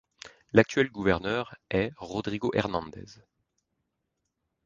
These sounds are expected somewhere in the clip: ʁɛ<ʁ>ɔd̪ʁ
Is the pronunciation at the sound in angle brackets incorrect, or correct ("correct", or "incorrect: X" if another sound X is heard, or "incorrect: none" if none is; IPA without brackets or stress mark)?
correct